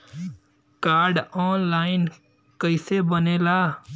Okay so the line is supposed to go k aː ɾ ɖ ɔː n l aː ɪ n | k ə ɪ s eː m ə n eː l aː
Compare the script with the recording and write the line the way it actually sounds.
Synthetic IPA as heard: k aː ɾ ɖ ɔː n l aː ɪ n | k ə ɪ s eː b ə n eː l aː